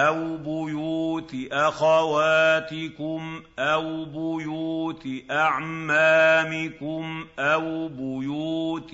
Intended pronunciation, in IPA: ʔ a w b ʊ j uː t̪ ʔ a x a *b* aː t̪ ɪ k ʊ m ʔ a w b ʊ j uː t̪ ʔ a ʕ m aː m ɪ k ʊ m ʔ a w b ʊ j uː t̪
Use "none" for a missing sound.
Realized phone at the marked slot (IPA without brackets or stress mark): w